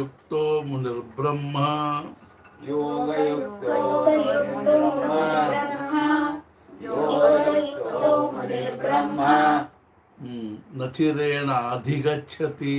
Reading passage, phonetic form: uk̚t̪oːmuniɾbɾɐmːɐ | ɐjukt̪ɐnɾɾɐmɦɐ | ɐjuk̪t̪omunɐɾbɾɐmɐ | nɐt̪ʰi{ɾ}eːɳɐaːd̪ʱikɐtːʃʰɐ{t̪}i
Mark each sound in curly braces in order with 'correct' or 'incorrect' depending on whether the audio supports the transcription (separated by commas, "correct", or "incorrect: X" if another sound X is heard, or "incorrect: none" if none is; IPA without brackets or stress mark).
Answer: correct, correct